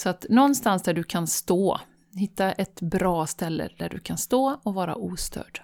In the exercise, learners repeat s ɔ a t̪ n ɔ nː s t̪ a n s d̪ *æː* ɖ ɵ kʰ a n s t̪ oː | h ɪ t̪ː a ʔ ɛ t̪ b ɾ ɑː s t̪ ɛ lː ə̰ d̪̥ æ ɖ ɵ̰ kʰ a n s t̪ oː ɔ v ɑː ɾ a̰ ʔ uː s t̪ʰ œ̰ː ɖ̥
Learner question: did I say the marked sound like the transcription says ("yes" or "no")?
no